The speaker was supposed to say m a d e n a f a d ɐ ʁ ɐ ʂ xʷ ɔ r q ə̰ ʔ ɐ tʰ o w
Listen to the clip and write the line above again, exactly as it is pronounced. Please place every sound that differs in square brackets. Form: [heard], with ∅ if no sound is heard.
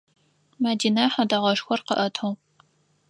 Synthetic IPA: m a d [i] n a [ħ] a d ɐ ʁ ɐ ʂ xʷ ɔ r q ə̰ ʔ ɐ tʰ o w